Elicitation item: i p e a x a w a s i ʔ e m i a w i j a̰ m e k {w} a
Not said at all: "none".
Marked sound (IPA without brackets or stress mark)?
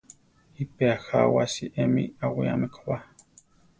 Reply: w